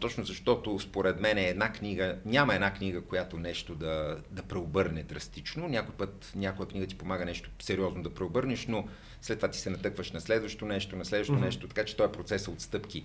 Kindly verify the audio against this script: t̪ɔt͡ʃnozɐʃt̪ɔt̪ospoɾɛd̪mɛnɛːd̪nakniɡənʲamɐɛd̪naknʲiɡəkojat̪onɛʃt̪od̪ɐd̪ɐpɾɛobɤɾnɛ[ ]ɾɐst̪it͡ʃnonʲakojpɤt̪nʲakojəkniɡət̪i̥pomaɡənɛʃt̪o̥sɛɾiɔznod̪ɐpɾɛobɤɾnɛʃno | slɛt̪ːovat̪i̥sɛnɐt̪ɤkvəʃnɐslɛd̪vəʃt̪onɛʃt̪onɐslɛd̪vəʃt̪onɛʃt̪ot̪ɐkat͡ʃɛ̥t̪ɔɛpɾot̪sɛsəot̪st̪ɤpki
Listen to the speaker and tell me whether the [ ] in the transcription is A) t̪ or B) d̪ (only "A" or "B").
B